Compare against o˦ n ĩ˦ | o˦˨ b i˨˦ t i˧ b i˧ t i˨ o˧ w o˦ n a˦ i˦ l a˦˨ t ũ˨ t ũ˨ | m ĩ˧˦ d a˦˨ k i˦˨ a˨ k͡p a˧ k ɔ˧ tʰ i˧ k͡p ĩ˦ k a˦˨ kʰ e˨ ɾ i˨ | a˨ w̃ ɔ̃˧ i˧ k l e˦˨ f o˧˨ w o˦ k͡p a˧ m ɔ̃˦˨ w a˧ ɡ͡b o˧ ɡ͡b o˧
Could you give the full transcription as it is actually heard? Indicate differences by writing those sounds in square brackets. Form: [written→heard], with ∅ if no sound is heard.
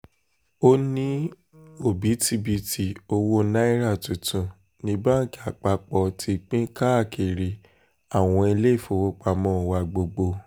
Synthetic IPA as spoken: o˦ n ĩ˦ | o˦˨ b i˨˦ t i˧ b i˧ t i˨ o˧ w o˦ n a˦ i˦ [l→ɾ] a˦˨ t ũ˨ t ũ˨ | [m→n] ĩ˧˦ [d→b] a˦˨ k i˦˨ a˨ k͡p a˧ [k→k͡p] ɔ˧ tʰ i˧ k͡p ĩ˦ k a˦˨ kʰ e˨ ɾ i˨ | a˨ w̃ ɔ̃˧ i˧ [k→∅] l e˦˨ f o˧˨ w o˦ k͡p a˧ m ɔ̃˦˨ w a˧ ɡ͡b o˧ ɡ͡b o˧